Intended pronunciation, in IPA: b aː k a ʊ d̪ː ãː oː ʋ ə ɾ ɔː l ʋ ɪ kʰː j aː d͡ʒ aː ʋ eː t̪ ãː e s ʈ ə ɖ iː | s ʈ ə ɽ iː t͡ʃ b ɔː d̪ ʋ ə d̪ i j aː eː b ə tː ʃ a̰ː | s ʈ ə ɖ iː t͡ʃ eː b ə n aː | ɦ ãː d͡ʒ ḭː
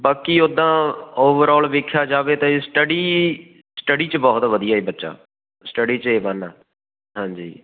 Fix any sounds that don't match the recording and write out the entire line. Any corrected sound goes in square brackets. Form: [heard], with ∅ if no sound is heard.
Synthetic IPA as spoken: b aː k [i] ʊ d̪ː ãː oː ʋ ə ɾ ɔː l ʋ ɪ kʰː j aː d͡ʒ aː ʋ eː t̪ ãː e s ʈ ə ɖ iː | s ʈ ə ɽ iː t͡ʃ b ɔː [t̪] ʋ ə d̪ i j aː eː b ə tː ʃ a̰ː | s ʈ ə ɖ iː t͡ʃ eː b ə n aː | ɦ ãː d͡ʒ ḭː